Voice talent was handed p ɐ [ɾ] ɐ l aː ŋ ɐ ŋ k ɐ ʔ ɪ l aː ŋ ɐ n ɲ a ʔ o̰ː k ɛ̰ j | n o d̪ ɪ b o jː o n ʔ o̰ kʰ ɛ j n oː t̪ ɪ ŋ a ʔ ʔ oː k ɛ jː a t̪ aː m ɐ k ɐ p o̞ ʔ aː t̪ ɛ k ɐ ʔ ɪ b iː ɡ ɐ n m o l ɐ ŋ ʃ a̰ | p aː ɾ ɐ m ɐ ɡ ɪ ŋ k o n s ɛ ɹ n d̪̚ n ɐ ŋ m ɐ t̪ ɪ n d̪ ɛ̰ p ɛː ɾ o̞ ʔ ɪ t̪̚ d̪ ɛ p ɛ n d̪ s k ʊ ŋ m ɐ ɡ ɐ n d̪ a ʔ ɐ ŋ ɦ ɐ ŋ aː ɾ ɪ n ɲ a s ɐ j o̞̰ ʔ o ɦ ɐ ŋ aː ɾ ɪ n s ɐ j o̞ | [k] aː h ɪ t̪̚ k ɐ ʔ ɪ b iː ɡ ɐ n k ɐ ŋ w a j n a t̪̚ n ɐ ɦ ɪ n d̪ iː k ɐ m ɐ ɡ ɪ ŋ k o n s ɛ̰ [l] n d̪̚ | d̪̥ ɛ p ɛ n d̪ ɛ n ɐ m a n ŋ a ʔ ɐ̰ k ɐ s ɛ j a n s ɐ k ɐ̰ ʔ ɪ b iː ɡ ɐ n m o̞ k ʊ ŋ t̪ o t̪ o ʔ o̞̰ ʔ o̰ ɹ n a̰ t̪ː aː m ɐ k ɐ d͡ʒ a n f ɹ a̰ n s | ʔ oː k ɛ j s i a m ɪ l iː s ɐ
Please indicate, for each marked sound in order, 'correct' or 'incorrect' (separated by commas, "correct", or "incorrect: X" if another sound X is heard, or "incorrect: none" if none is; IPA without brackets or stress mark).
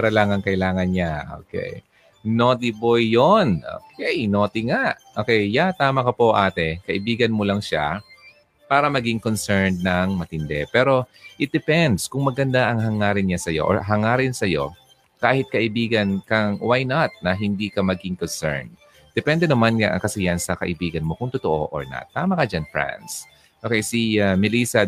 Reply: correct, correct, incorrect: ɹ